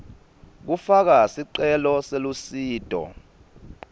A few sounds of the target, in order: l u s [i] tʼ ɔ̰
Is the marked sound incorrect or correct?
incorrect